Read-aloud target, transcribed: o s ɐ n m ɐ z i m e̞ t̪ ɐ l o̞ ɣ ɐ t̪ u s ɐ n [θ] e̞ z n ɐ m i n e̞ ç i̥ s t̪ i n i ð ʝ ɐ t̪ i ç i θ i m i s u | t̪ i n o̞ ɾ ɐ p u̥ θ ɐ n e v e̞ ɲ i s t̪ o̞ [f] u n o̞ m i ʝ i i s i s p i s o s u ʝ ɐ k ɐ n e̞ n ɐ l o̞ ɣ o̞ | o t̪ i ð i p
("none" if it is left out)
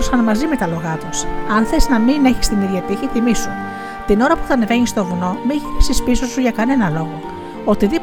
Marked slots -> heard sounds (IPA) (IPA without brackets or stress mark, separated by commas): θ, v